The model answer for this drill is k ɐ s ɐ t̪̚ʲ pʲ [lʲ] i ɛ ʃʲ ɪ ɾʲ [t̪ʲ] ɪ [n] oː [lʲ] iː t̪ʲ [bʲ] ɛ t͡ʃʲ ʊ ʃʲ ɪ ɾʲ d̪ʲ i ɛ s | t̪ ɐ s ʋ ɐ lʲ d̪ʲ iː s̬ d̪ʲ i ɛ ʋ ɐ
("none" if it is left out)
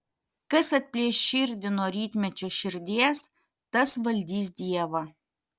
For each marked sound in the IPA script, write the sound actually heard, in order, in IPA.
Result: lʲ, d̪ʲ, n, ɾʲ, mʲ

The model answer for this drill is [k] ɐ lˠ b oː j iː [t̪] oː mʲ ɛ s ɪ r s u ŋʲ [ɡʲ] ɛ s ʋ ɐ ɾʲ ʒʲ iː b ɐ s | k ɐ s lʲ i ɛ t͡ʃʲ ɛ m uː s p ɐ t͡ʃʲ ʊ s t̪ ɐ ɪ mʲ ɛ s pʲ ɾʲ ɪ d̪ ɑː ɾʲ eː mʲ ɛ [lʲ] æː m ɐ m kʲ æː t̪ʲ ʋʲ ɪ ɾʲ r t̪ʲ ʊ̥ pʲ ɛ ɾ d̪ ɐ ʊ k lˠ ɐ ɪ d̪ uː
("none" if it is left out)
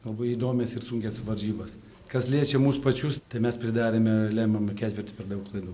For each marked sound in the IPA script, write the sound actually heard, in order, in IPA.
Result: ɡ, d̪, kʲ, lʲ

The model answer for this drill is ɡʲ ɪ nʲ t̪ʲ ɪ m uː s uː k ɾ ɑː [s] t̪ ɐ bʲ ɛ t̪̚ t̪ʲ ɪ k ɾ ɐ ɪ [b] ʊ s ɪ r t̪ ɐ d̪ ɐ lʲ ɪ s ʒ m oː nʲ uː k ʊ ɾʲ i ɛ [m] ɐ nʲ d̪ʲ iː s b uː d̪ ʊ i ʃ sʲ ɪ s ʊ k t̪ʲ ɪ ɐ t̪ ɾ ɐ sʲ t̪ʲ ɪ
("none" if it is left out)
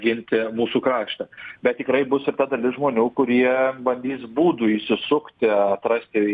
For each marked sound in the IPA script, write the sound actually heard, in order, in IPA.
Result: ʃ, b, b

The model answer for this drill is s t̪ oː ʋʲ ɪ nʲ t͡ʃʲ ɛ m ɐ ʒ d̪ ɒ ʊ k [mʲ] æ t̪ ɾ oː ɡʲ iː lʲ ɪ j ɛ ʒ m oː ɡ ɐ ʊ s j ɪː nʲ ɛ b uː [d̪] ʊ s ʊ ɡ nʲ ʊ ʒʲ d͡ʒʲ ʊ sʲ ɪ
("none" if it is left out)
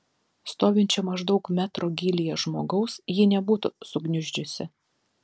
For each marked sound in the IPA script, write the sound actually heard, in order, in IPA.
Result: mʲ, t̪

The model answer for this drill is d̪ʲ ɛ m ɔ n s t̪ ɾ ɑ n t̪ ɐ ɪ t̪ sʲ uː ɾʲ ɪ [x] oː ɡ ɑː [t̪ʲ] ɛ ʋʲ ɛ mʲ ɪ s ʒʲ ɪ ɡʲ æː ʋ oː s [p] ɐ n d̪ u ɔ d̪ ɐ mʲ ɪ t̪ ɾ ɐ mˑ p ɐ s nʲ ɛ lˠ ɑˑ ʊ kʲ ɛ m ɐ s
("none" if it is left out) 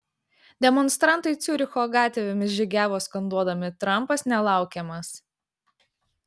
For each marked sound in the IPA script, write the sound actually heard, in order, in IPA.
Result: x, t̪ʲ, k

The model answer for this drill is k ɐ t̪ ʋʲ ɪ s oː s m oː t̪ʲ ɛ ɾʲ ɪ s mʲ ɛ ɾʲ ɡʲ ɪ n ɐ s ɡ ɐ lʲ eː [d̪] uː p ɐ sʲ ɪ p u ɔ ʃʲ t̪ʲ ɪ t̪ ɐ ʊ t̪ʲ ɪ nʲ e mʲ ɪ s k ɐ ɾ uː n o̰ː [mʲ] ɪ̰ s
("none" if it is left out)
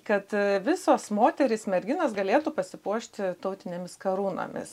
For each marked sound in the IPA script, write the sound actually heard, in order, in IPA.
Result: t̪, mʲ

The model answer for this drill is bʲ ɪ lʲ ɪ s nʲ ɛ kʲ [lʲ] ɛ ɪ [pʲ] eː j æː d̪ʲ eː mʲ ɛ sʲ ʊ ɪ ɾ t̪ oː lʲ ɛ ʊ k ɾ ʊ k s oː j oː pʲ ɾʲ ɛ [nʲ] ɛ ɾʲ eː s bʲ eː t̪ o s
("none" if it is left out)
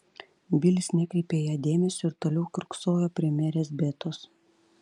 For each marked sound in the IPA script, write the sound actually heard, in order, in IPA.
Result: ɾʲ, pʲ, mʲ

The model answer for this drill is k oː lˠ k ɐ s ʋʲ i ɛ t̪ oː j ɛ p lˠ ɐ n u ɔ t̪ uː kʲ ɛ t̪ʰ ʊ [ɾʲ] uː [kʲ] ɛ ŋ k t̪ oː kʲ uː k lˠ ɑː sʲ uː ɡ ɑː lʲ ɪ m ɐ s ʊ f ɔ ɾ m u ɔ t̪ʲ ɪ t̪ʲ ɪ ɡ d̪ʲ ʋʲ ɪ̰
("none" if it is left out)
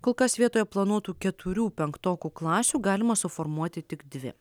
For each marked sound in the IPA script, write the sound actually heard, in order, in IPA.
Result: ɾʲ, pʲ

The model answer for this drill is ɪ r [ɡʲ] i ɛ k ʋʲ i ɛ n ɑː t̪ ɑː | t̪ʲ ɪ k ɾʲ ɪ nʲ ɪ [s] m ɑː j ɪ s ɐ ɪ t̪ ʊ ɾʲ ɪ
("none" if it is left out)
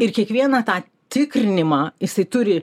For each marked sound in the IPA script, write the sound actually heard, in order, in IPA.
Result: kʲ, none

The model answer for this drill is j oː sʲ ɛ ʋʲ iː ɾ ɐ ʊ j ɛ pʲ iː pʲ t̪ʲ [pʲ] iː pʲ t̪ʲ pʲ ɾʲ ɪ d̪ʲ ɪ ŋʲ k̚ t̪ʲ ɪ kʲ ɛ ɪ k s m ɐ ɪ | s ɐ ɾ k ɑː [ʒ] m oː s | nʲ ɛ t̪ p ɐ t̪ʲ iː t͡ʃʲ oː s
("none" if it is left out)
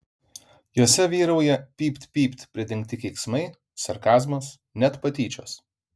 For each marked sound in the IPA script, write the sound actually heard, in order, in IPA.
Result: pʲ, z

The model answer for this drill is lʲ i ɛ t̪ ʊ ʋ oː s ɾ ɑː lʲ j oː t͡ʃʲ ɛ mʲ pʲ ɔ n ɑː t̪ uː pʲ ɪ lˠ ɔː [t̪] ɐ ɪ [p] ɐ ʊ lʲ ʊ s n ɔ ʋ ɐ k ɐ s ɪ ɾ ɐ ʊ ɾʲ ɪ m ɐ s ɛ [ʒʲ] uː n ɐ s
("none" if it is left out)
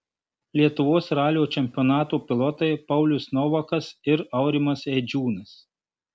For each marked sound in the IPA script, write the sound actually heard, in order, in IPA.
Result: t̪, p, d͡ʒʲ

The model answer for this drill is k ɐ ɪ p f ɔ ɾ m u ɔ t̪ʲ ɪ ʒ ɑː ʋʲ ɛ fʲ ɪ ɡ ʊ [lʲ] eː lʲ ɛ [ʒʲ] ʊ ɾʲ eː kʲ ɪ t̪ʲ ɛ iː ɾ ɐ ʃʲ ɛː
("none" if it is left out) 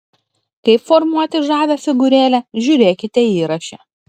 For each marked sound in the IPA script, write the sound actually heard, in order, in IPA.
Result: ɾʲ, ʒʲ

